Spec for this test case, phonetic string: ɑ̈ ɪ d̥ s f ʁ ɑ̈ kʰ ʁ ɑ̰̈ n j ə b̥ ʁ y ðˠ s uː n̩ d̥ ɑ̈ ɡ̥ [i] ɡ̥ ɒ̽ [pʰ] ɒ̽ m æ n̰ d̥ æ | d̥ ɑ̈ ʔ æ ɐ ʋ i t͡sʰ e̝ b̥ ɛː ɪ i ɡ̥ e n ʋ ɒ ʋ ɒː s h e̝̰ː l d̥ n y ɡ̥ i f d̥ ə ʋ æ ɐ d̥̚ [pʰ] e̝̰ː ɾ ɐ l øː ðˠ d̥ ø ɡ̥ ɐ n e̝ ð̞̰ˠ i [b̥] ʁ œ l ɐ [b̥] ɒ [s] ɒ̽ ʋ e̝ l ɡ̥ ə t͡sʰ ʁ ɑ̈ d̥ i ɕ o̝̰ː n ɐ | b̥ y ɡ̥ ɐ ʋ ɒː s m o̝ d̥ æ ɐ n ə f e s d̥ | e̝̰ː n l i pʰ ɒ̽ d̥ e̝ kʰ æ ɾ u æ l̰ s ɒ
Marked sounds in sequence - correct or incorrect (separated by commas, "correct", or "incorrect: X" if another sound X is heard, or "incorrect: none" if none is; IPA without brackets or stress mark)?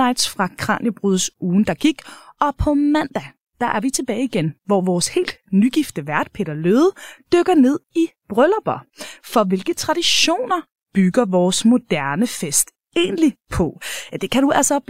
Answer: correct, correct, correct, correct, correct, incorrect: f